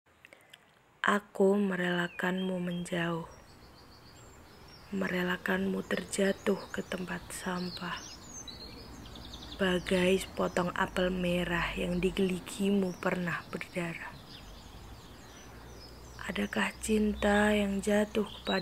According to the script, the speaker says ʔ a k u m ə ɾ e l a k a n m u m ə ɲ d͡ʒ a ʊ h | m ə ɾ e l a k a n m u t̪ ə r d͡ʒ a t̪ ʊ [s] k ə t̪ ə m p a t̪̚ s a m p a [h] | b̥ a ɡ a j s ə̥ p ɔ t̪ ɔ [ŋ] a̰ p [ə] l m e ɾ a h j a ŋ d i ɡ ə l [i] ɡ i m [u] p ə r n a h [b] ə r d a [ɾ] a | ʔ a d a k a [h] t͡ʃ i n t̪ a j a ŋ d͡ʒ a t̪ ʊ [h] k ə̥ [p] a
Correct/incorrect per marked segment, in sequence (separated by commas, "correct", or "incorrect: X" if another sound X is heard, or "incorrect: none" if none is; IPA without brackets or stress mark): incorrect: h, correct, correct, correct, correct, correct, correct, correct, correct, correct, correct